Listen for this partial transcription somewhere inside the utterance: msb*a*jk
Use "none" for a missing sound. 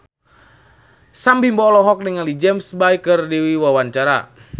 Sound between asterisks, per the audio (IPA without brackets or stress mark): a